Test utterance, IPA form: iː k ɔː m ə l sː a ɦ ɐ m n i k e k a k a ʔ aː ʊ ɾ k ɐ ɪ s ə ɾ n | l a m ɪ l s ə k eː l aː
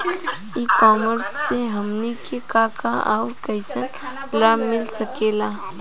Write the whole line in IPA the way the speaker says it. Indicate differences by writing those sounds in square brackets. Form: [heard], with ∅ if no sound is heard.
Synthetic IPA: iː k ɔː m ə [ɾ] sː [e] ɦ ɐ m n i k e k a k a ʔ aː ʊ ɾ k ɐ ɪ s ə [∅] n | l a m ɪ l s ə k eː l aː